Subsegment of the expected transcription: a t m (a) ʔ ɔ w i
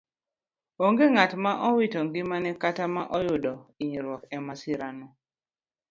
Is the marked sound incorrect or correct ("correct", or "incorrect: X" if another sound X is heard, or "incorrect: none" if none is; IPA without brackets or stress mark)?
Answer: correct